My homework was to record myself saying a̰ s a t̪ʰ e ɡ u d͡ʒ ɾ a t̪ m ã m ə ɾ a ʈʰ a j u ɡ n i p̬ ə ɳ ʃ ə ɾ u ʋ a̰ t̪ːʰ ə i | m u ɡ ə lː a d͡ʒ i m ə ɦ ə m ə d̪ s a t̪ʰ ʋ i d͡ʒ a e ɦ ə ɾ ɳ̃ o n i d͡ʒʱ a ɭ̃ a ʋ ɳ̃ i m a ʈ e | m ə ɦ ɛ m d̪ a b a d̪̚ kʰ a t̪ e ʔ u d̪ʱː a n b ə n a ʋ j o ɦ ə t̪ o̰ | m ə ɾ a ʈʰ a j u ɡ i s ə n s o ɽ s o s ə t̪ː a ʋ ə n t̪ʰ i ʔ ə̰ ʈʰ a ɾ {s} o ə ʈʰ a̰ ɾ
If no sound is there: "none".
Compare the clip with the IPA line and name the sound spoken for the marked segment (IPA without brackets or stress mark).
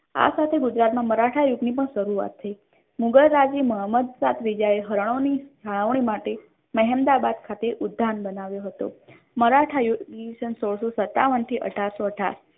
s